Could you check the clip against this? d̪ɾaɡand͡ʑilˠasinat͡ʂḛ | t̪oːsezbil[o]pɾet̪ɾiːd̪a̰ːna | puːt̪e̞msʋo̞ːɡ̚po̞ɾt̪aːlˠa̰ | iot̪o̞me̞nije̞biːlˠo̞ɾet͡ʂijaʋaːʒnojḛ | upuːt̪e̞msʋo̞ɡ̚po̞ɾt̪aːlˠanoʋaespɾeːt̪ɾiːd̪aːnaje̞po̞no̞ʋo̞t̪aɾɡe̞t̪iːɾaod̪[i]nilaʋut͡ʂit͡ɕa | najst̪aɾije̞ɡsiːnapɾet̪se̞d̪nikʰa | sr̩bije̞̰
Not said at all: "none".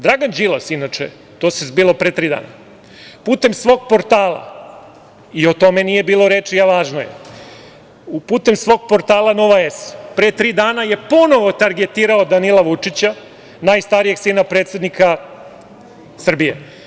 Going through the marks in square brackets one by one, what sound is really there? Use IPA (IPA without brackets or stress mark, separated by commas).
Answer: o, a